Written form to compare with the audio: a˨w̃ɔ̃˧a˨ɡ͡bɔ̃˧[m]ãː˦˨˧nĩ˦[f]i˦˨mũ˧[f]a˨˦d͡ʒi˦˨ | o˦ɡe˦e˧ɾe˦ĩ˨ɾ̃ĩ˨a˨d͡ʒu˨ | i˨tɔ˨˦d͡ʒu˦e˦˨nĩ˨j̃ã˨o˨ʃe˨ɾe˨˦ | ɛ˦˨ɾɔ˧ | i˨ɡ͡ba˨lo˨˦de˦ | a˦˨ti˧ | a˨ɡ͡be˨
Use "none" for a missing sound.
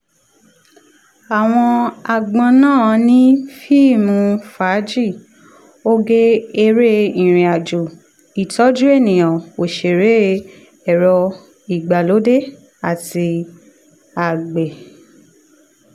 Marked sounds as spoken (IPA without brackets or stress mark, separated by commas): n, f, f